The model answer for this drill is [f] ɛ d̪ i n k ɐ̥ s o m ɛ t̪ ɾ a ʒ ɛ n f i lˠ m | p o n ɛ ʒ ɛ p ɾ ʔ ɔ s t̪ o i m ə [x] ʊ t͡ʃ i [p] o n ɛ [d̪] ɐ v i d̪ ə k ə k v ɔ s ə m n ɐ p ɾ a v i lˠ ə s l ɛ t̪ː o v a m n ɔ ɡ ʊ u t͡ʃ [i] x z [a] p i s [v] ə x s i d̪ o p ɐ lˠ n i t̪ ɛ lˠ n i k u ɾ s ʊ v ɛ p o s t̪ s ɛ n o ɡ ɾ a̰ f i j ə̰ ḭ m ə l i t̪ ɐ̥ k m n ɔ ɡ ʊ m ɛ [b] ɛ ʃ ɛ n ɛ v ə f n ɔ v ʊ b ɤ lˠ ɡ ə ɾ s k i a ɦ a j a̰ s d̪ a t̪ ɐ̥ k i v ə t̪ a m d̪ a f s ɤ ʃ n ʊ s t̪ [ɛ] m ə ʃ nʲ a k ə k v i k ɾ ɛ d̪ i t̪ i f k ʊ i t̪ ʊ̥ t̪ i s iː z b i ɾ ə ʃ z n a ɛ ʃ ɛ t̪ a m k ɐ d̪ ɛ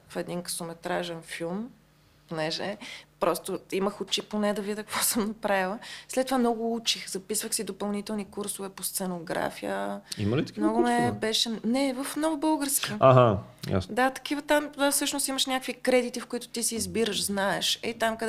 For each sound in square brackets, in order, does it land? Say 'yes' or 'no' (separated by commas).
yes, yes, yes, yes, yes, no, yes, yes, no